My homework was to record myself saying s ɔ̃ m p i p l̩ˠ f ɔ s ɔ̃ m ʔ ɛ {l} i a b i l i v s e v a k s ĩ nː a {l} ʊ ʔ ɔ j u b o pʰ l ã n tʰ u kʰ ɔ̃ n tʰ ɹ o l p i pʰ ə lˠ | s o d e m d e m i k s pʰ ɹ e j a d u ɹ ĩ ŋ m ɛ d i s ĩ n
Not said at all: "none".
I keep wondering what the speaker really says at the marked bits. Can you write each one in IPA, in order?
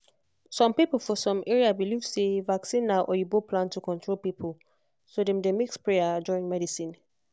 ɹ, none

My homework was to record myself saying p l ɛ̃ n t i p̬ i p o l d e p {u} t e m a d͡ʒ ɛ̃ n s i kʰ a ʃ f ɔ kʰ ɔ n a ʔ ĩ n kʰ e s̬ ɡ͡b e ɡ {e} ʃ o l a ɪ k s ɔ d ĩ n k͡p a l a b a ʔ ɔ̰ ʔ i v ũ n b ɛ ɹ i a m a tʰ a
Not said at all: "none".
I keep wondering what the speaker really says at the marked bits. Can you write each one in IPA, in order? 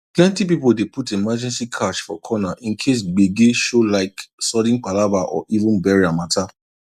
u, e

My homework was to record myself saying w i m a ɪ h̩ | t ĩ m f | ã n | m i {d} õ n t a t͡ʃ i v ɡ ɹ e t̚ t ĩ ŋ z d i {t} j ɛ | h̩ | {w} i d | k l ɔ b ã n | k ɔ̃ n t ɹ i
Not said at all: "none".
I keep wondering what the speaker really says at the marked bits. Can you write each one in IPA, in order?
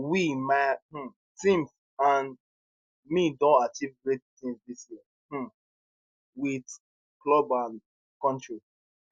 d, s, w

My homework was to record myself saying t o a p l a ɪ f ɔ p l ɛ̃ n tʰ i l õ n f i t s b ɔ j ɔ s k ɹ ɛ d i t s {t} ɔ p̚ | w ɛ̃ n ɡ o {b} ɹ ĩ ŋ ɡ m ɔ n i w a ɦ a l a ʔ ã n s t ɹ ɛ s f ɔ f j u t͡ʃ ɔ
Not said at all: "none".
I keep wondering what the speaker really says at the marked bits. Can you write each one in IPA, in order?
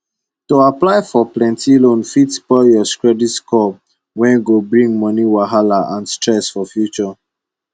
k, b

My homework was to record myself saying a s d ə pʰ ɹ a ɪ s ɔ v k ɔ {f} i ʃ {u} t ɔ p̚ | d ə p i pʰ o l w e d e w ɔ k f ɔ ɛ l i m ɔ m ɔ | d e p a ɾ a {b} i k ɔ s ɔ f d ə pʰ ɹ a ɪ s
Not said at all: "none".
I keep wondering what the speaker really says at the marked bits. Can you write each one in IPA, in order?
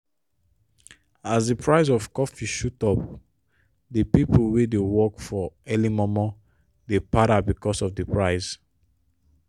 f, u, b

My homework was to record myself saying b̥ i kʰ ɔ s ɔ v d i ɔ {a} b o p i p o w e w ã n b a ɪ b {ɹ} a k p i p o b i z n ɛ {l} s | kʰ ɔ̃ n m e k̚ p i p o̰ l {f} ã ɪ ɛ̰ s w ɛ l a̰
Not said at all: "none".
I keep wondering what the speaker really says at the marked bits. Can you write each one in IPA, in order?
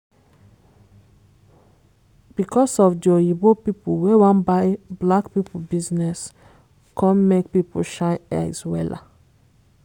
i, l, none, ʃ

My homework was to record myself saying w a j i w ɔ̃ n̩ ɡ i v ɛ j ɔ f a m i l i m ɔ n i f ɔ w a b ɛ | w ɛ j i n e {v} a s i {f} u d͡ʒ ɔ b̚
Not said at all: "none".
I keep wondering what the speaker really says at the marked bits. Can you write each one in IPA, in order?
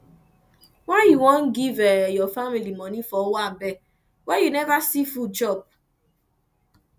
v, f

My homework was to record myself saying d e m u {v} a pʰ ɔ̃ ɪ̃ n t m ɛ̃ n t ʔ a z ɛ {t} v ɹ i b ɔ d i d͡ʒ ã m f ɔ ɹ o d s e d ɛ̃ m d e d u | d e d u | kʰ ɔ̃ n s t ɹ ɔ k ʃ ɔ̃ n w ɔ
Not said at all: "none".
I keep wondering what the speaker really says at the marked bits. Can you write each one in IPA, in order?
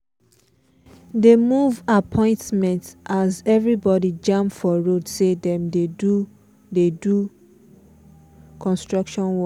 v, none

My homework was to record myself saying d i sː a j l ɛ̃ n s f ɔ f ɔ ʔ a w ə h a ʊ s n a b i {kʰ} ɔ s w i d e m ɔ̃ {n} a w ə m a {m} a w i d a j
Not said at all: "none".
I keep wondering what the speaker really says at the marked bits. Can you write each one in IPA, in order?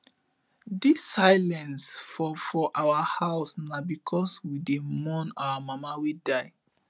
kʰ, n, m

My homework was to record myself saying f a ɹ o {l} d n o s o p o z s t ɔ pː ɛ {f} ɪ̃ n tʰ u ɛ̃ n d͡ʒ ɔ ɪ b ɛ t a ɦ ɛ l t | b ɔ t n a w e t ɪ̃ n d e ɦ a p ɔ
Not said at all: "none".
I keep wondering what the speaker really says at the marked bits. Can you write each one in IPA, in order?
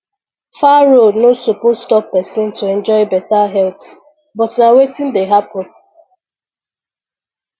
none, s

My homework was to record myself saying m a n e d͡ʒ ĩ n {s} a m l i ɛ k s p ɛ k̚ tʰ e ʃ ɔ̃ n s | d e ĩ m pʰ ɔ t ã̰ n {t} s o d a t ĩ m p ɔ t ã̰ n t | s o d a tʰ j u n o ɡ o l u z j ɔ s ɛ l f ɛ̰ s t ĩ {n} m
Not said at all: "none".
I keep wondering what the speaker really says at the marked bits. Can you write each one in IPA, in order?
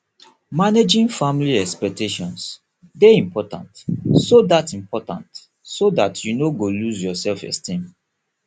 f, t, none

